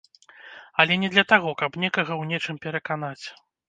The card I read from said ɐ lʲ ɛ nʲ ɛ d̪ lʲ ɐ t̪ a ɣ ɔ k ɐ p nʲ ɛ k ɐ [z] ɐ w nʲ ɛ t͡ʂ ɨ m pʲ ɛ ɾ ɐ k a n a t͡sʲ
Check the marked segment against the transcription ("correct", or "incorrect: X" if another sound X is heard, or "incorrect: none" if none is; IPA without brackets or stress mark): incorrect: ɣ